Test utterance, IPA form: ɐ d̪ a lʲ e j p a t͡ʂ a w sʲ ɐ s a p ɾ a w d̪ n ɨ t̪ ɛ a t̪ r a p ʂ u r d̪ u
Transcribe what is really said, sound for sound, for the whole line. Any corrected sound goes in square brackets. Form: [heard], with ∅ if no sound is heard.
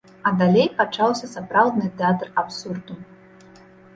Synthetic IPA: ɐ d̪ a lʲ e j p a t͡ʂ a w sʲ ɐ s a p ɾ a w d̪ n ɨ t̪ ɛ a t̪ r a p [s] u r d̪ u